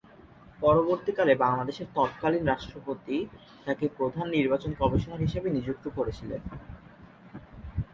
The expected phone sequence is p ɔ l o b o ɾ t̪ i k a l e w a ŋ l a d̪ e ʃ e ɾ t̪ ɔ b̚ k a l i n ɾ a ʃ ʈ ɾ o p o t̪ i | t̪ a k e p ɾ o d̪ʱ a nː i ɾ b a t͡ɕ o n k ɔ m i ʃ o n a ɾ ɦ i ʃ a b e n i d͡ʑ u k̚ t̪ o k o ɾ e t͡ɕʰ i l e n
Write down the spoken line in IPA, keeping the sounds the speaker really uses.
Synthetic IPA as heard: p ɔ ɾ o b o ɾ t̪ i k a l e b a ŋ l a d̪ e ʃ e ɾ t̪ ɔ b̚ k a l i n ɾ a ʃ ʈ ɾ o p o t̪ i | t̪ a k e p ɾ o d̪ʱ a nː i ɾ b a t͡ɕ o n k ɔ m i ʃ o n a ɾ ɦ i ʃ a b e n i d͡ʑ u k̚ t̪ o k o ɾ e t͡ɕʰ i l e n